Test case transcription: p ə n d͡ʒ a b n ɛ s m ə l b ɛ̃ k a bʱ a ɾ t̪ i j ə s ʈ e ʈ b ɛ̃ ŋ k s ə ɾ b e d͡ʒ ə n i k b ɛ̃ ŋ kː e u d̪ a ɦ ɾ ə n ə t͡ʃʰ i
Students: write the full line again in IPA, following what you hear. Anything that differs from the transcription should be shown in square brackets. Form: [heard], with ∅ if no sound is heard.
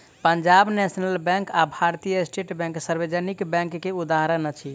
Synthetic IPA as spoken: p ə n d͡ʒ a b n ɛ s [n] ə l b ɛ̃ k a bʱ a ɾ t̪ i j ə s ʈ e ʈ b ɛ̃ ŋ k s ə ɾ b e d͡ʒ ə n i k b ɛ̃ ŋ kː e u d̪ a ɦ ɾ ə n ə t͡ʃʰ i